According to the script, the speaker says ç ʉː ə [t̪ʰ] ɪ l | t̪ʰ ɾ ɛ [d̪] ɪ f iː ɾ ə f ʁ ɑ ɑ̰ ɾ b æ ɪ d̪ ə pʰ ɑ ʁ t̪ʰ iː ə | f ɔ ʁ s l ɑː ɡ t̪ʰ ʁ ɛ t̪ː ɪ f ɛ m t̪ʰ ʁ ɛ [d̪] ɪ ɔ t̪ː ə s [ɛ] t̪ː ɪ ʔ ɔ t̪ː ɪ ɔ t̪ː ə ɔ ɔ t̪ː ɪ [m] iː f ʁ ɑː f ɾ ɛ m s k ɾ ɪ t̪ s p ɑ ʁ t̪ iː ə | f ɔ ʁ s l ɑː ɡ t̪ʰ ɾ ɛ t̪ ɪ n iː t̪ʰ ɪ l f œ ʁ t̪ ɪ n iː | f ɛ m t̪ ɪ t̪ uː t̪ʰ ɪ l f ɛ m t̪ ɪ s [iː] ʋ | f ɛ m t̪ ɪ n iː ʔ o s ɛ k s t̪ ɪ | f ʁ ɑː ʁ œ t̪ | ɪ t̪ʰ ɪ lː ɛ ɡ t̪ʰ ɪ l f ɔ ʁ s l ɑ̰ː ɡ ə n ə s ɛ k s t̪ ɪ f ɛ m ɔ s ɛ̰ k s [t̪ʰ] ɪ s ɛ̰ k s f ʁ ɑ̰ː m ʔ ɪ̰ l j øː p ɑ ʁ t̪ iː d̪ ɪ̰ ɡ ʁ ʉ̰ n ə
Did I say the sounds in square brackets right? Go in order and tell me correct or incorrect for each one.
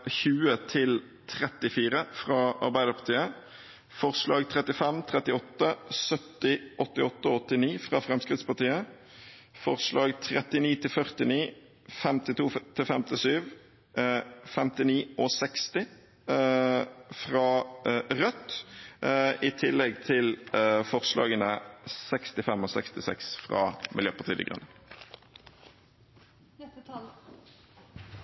correct, incorrect: t̪, incorrect: t̪, incorrect: œ, incorrect: n, incorrect: yː, incorrect: t̪

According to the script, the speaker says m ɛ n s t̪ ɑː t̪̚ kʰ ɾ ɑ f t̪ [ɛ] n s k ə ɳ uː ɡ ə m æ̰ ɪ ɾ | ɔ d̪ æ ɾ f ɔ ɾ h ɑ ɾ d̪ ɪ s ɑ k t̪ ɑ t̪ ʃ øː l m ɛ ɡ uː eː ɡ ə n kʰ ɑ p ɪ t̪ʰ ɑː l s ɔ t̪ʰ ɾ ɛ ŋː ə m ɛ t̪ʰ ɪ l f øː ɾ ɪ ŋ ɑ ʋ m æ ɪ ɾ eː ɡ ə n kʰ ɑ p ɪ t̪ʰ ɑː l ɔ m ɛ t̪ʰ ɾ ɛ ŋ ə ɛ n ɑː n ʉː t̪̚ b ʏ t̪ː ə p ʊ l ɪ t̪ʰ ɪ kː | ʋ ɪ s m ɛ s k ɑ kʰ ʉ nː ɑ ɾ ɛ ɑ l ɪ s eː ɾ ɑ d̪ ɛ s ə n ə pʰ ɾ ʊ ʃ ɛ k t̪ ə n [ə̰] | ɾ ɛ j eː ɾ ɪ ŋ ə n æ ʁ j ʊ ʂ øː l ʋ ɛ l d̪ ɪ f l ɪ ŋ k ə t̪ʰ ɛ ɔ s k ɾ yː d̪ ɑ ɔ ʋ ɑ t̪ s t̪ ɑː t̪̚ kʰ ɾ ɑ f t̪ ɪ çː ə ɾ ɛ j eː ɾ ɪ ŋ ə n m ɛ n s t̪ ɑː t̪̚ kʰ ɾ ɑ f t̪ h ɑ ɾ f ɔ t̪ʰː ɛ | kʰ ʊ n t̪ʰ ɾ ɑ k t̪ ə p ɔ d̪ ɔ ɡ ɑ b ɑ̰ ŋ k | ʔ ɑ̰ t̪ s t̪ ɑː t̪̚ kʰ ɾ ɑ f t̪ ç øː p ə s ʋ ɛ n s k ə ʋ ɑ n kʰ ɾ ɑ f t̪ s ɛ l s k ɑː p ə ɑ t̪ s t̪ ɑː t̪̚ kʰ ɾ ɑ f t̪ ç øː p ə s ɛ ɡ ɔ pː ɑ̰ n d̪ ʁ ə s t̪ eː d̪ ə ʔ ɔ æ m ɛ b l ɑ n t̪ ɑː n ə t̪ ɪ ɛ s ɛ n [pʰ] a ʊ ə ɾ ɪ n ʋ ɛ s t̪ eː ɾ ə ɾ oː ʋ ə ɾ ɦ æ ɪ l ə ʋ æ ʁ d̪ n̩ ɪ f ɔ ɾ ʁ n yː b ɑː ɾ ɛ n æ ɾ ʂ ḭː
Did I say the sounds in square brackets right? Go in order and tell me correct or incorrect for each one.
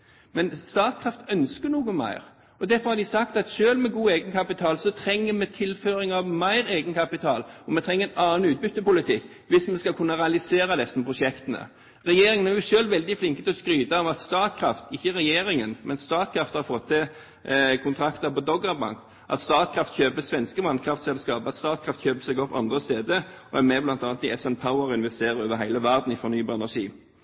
incorrect: œ, correct, correct

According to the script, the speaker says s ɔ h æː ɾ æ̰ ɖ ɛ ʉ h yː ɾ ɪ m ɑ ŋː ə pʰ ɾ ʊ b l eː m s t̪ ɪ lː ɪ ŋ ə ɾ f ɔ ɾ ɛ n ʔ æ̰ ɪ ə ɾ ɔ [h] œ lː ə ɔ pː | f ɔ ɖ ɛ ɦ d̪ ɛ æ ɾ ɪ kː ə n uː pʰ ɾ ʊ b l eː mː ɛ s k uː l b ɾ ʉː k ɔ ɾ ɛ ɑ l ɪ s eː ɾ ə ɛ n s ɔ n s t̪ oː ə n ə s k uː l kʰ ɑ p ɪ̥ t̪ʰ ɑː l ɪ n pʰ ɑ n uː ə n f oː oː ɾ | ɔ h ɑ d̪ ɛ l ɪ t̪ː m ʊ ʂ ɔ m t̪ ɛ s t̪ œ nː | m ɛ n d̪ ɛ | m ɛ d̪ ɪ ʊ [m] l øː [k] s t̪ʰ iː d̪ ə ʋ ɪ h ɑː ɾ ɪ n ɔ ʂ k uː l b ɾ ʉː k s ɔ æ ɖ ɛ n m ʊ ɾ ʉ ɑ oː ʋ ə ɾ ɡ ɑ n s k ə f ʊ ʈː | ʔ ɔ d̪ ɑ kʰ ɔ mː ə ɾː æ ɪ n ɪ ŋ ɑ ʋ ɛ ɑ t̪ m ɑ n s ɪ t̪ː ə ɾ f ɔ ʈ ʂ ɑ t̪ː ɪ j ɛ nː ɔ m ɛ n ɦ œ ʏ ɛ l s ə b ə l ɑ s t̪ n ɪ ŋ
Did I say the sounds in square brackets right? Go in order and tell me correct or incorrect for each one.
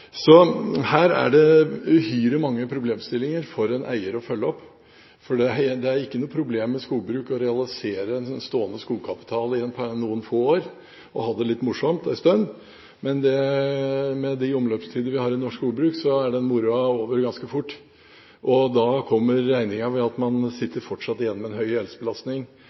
incorrect: f, correct, incorrect: p

